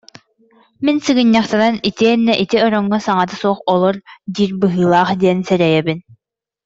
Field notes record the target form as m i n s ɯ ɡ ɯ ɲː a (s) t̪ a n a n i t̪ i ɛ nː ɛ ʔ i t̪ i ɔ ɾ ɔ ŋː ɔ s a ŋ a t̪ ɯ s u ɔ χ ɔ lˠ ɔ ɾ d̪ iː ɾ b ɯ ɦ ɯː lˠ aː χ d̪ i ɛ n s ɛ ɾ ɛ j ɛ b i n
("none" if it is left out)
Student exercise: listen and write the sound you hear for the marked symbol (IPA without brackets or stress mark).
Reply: χ